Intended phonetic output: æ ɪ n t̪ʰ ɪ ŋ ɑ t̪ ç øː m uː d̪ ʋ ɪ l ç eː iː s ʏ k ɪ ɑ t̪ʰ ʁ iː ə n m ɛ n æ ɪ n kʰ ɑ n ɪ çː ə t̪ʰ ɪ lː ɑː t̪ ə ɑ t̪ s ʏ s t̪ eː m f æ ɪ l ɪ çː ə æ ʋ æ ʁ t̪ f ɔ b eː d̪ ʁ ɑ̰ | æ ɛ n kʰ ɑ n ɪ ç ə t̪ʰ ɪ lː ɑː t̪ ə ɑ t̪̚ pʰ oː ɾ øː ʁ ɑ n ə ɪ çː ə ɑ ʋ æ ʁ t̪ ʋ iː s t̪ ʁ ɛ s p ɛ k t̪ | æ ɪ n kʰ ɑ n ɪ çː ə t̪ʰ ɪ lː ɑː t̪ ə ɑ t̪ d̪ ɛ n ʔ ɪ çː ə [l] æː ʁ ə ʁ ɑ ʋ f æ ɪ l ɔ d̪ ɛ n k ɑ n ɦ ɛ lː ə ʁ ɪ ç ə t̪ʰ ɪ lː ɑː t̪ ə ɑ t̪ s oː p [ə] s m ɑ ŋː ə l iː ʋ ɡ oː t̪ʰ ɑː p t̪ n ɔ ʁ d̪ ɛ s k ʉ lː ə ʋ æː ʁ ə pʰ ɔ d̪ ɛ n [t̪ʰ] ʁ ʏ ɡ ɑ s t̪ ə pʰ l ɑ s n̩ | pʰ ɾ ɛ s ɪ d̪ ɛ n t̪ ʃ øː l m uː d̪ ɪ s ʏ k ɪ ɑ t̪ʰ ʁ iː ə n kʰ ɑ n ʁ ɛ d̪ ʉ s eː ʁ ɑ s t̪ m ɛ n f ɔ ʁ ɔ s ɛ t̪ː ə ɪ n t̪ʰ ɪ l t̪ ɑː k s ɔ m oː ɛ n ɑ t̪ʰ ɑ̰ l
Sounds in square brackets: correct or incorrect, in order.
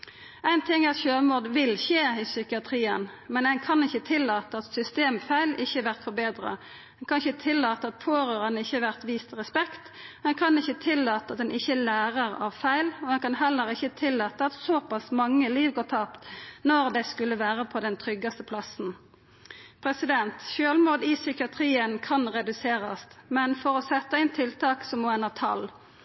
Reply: correct, incorrect: ɑ, correct

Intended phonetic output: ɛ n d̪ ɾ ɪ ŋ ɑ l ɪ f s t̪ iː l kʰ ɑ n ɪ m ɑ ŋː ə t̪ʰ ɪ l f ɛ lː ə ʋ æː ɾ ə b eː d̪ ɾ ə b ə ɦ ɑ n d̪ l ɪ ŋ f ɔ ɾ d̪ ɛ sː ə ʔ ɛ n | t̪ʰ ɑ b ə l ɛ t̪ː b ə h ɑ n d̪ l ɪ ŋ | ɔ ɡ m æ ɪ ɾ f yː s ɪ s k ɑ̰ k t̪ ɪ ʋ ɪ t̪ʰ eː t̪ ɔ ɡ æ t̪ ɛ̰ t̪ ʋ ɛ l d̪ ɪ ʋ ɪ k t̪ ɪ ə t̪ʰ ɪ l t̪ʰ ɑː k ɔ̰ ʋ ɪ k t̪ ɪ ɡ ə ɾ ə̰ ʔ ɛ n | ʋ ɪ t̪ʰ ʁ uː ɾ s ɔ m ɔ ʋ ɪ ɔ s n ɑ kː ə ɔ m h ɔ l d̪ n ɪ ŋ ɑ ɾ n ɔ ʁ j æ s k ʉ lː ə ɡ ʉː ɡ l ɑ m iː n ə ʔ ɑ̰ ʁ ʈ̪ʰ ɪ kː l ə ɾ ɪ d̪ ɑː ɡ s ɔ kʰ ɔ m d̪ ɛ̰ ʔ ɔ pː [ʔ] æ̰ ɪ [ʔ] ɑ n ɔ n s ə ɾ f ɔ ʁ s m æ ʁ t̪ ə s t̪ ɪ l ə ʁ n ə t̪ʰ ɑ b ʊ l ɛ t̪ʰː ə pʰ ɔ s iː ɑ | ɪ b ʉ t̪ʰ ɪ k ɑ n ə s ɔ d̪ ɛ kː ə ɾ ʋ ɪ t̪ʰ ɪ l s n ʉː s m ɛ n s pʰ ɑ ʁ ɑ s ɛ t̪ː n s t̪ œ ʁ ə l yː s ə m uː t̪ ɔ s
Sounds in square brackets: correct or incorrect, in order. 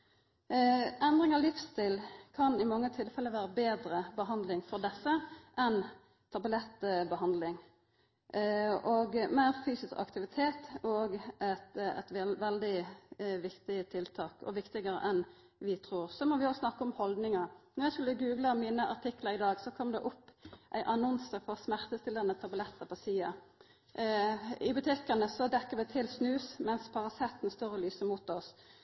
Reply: correct, correct

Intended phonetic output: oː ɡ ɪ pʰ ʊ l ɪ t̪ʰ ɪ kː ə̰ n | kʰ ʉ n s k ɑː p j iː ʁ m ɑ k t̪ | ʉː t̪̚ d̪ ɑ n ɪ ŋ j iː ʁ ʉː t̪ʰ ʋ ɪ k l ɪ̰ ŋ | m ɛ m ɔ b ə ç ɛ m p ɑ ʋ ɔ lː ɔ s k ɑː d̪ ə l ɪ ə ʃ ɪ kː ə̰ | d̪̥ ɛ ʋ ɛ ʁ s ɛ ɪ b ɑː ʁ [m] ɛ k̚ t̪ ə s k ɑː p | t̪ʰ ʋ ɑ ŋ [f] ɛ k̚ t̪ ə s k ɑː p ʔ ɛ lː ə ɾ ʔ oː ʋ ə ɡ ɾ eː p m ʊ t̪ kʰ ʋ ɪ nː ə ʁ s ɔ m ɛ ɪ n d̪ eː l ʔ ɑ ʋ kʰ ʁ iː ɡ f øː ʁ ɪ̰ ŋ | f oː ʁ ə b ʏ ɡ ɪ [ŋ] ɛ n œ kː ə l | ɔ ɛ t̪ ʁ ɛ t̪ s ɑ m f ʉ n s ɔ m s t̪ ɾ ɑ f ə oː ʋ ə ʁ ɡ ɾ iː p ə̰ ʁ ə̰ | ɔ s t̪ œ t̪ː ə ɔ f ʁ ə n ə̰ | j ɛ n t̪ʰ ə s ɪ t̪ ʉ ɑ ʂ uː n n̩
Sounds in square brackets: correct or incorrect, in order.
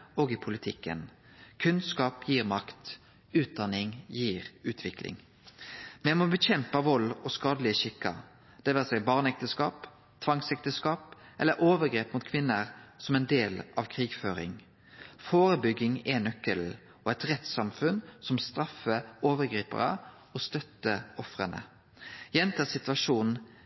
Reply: incorrect: n, incorrect: s, correct

